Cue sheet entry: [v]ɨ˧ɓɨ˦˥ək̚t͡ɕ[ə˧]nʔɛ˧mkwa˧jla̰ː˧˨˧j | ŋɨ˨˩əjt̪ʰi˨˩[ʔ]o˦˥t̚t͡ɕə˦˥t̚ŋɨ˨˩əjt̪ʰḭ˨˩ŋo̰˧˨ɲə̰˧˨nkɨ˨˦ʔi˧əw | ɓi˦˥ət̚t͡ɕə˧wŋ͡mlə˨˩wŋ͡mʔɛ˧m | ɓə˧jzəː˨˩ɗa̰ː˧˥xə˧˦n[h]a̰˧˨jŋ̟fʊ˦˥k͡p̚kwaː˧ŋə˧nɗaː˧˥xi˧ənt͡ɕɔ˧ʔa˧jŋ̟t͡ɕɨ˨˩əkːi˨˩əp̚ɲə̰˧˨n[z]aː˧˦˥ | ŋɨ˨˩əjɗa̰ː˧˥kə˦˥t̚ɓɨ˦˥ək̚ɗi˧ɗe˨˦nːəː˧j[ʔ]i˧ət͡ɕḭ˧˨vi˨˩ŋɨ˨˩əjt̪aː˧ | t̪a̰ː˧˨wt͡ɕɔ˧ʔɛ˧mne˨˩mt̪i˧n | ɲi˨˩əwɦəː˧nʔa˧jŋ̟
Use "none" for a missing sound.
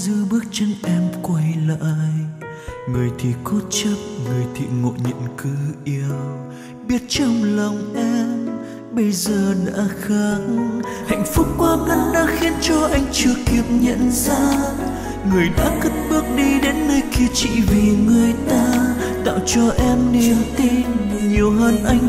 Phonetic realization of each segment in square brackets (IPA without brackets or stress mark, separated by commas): z, ə˧, k, h, z, k